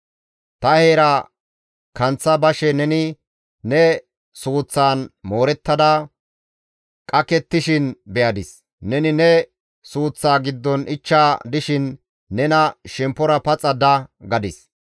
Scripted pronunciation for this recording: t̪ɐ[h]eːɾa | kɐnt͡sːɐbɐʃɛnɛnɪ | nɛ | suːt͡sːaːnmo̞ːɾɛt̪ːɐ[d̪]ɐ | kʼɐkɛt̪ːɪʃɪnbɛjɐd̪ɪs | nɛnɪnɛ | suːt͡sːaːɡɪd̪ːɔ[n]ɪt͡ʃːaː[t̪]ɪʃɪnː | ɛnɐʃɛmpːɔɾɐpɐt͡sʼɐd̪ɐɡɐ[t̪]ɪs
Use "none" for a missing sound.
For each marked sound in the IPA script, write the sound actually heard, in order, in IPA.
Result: h, d̪, n, d̪, d̪

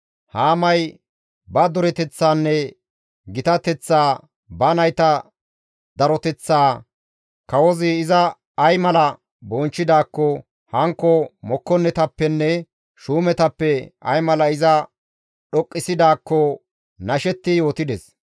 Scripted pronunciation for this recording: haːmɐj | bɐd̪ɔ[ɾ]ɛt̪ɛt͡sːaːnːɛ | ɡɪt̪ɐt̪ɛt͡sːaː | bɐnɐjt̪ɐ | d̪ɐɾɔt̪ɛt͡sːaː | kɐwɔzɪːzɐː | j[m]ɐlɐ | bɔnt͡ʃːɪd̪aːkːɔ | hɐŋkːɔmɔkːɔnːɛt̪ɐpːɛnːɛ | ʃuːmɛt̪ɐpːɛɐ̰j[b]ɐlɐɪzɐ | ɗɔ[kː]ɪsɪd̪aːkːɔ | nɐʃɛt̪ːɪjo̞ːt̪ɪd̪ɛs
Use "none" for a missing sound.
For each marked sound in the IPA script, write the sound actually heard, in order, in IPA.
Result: ɾ, m, m, kʼː

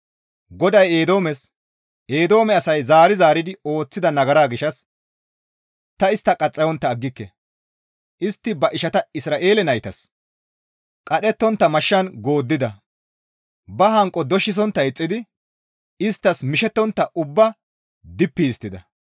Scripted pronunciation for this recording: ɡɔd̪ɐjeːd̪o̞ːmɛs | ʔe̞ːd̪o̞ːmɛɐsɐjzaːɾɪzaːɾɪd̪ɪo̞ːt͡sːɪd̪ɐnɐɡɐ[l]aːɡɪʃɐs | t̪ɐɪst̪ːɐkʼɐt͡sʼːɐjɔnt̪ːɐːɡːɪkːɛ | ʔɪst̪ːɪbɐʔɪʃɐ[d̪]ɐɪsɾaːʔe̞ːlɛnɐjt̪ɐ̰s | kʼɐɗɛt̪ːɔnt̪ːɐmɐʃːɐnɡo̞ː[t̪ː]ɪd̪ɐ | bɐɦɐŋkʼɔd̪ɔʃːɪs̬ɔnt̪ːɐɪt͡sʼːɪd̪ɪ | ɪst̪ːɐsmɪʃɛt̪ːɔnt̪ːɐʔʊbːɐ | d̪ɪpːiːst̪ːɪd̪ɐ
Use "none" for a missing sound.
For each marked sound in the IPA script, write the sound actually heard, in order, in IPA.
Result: ɾ, t̪, d̪ː

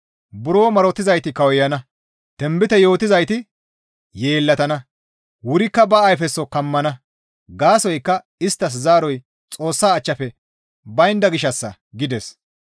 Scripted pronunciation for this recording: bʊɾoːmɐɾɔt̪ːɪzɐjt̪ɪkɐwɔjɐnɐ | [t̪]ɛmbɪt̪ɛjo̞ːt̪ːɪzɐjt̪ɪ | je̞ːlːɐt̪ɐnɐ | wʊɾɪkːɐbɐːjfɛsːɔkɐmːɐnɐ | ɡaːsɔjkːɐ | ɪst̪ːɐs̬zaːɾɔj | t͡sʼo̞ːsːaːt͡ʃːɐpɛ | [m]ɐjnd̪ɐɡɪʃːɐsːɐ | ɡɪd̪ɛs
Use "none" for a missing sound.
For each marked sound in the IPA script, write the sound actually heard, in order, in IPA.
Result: t̪, b

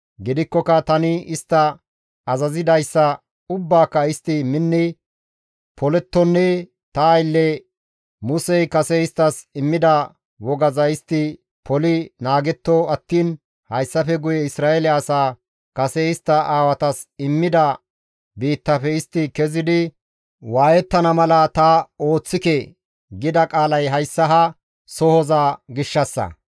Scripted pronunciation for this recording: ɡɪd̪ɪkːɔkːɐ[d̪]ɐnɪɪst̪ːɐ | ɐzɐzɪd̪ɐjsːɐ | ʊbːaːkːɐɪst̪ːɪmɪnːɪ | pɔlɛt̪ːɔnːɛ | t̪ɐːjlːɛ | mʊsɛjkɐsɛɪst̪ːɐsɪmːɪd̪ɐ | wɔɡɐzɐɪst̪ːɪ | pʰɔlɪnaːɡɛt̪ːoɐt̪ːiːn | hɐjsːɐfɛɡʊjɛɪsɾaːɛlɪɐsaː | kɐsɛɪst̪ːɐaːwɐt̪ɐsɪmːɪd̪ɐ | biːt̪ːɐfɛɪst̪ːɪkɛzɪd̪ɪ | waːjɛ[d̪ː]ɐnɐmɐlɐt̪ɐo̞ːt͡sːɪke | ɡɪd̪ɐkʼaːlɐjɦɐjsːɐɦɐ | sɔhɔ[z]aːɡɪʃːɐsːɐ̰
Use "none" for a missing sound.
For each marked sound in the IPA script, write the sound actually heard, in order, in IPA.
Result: t̪, t̪ː, z

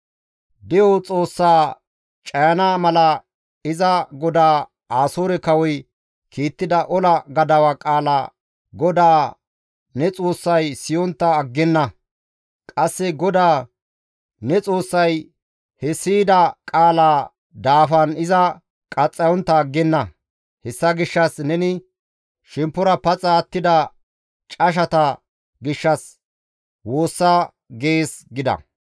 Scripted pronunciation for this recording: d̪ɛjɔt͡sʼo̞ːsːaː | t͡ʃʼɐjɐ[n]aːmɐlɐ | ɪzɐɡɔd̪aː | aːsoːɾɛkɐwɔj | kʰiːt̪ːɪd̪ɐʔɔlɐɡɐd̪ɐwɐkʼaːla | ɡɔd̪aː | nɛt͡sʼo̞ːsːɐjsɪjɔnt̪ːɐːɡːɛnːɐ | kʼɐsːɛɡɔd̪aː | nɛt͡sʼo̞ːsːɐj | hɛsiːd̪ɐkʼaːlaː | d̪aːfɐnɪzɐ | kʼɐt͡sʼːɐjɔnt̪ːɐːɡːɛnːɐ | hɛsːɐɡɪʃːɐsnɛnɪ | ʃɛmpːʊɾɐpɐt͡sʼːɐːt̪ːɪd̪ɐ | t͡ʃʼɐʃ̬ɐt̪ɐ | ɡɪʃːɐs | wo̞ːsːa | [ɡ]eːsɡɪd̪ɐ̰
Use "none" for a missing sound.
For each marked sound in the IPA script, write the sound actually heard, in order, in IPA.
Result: n, ɡ

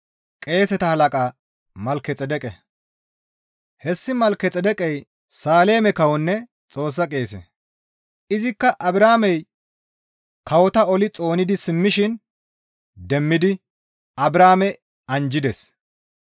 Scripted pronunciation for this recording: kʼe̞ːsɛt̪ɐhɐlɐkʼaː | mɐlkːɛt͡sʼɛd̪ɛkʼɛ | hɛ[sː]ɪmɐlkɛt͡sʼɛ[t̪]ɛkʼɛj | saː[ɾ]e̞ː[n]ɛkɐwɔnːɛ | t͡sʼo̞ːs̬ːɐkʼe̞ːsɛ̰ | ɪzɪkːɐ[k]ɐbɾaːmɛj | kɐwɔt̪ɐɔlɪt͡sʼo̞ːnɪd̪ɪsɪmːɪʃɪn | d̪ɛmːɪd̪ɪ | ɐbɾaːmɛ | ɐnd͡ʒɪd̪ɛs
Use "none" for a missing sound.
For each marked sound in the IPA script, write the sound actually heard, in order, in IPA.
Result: sː, d̪, l, m, ʔ

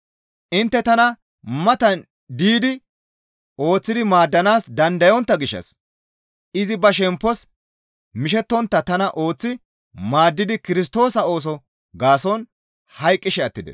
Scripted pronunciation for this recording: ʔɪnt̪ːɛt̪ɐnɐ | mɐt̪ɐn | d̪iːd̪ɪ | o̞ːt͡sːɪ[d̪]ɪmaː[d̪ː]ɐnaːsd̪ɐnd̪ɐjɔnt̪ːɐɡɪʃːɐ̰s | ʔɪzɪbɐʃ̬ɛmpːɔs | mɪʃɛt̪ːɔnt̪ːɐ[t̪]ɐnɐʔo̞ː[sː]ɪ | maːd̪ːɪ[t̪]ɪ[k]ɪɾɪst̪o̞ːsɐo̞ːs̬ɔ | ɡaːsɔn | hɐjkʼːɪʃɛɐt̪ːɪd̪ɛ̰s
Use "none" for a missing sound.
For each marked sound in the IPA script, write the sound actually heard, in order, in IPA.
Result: d̪, d̪ː, t̪, t͡sː, d̪, k

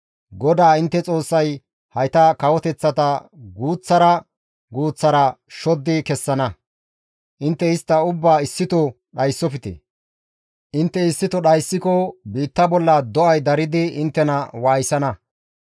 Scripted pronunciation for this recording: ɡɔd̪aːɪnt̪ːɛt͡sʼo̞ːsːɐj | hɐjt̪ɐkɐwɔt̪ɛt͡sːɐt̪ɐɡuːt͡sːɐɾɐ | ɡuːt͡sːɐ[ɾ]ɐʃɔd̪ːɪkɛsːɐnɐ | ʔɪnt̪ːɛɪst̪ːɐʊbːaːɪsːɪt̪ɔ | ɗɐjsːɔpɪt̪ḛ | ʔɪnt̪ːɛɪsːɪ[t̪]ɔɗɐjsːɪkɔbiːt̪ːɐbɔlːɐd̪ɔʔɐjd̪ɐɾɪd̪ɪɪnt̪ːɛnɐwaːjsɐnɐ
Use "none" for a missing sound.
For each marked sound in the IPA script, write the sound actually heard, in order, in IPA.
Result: ɾ, t̪

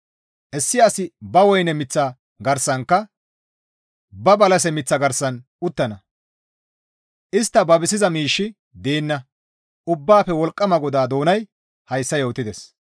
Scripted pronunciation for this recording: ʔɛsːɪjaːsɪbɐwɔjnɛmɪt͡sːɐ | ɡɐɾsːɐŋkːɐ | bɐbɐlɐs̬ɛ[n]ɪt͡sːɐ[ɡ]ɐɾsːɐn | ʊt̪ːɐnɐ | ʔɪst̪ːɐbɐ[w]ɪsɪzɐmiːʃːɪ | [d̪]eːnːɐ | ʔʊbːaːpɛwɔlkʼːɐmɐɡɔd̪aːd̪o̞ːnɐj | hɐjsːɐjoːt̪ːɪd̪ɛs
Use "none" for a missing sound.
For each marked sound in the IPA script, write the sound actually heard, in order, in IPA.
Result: m, ɡ, b, d̪

